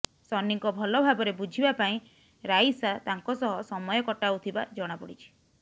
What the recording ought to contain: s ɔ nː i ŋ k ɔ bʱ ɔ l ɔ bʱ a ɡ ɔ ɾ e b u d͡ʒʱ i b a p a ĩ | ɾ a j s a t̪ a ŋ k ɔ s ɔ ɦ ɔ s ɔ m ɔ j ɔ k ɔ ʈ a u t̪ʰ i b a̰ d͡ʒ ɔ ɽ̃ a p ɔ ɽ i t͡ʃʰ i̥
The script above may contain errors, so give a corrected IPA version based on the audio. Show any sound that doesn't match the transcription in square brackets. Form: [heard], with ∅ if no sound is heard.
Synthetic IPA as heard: s ɔ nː i ŋ k ɔ bʱ ɔ l ɔ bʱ a [b] ɔ ɾ e b u d͡ʒʱ i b a p a ĩ | ɾ a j s a t̪ a ŋ k ɔ s ɔ ɦ ɔ s ɔ m ɔ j ɔ k ɔ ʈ a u t̪ʰ i b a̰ d͡ʒ ɔ ɽ̃ a p ɔ ɽ i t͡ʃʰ i̥